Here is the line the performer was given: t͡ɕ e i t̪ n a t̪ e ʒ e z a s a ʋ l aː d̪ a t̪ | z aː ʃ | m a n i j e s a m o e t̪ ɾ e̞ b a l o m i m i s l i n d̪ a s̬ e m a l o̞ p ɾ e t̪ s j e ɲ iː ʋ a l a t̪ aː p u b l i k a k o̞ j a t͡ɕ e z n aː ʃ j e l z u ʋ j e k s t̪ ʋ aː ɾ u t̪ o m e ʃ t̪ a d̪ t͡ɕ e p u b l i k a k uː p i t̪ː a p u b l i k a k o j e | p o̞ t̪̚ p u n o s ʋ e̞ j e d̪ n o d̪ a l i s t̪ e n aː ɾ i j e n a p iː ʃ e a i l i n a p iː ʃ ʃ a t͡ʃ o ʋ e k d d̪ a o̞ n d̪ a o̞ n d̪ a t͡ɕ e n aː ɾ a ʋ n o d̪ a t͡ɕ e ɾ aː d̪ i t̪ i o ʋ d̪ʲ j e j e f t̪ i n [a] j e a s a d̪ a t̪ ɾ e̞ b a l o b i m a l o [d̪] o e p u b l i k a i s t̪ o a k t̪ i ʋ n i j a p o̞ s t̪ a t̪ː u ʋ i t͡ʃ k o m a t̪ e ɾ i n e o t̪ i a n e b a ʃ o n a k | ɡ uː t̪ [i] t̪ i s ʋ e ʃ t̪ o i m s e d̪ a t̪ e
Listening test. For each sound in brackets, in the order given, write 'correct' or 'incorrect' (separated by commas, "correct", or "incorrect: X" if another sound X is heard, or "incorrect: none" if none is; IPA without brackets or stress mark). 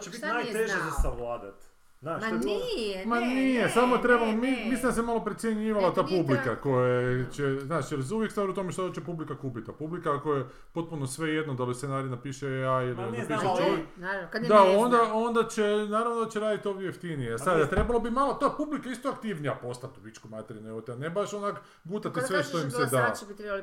incorrect: i, incorrect: t̪, incorrect: a